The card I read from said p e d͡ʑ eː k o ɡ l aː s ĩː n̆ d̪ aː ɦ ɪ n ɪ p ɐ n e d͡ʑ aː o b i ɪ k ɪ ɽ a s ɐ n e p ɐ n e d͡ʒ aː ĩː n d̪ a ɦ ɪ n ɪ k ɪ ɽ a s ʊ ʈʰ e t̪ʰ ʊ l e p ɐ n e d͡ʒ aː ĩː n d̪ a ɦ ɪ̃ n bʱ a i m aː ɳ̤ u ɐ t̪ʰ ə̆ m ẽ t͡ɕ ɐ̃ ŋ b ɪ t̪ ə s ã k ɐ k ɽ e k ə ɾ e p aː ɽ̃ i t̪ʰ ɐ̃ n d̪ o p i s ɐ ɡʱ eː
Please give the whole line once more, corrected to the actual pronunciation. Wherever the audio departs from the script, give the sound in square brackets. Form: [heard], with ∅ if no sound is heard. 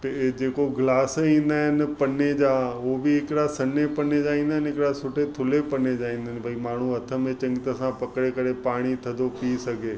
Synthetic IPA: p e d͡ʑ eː k o ɡ l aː s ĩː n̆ d̪ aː ɦ ɪ n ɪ p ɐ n e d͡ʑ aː o b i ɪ k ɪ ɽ a s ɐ n e p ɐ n e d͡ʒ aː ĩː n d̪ a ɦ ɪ n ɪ k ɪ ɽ a s ʊ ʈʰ e t̪ʰ ʊ l e p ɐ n e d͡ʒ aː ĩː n d̪ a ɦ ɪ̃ n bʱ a i m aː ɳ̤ u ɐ t̪ʰ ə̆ m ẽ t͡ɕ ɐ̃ ŋ [ɡ] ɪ t̪ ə s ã [p] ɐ k ɽ e k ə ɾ e p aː ɽ̃ i t̪ʰ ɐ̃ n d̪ o p i s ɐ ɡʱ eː